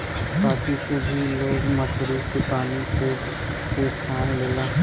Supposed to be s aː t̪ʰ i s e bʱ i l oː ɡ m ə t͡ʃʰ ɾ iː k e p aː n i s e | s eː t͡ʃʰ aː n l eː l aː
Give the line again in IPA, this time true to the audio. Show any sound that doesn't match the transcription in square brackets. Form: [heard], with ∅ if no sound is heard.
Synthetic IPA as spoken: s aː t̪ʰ i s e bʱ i l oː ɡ m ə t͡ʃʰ ɾ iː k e p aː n i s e | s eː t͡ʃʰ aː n l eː l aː